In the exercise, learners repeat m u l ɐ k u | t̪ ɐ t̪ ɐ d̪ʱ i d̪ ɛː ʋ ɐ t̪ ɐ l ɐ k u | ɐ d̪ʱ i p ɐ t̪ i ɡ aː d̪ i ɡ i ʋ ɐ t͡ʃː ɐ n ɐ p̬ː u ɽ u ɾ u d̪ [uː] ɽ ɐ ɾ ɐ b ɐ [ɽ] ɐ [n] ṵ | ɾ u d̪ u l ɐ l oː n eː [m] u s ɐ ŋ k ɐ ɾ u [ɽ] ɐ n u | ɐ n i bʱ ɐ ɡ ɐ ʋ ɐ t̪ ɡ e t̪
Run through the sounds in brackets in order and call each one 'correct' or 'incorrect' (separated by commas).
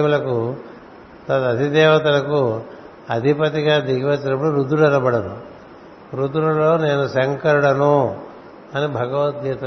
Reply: incorrect, correct, correct, incorrect, correct